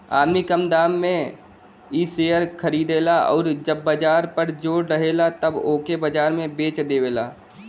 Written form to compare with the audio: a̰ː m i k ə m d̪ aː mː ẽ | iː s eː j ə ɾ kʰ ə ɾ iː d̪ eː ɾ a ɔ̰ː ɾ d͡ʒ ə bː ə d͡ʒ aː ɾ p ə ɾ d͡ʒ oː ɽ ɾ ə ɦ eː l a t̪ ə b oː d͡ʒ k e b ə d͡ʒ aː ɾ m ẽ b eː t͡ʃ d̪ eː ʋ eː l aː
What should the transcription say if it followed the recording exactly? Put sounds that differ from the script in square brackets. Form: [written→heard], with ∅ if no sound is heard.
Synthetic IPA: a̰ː m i k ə m d̪ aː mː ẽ | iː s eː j ə ɾ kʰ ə ɾ iː d̪ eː [ɾ→l] a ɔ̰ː ɾ d͡ʒ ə bː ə d͡ʒ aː ɾ p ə ɾ d͡ʒ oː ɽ ɾ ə ɦ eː l a t̪ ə b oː [d͡ʒ→∅] k e b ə d͡ʒ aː ɾ m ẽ b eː t͡ʃ d̪ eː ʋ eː l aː